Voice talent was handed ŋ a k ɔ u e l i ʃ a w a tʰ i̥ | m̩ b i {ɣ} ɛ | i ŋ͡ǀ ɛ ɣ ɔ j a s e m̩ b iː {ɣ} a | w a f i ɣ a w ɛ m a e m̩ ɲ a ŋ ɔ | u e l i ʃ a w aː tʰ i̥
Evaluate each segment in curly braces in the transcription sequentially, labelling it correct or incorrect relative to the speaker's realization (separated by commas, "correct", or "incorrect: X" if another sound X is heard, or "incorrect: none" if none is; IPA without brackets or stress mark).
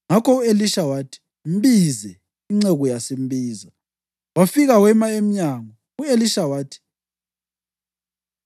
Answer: incorrect: z, incorrect: z